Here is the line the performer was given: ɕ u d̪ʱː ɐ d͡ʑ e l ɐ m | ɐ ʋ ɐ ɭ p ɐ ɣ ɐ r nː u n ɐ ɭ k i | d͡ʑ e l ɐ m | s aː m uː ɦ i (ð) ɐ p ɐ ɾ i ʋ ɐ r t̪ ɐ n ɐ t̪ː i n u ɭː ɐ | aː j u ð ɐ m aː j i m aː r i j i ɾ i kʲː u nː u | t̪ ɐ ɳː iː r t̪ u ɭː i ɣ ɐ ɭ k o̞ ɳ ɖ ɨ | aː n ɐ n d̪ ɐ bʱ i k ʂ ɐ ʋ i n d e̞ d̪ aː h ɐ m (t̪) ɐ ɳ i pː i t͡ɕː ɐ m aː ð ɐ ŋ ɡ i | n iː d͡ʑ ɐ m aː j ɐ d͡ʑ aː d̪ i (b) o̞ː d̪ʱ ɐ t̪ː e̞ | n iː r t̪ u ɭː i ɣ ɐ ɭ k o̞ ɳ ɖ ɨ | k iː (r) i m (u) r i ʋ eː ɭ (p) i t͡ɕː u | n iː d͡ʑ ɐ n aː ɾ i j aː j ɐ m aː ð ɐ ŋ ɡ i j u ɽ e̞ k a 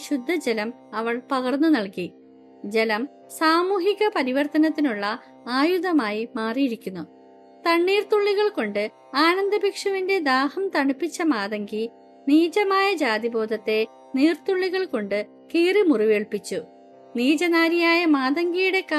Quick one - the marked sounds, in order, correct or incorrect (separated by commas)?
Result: incorrect, correct, correct, correct, correct, correct